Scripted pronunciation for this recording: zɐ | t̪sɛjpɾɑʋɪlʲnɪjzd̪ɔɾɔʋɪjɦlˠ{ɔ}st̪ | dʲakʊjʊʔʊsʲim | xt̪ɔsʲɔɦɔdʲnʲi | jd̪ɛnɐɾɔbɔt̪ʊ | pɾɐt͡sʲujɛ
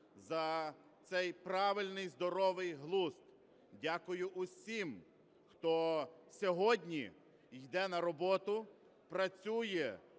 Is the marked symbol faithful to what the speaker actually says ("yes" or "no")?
no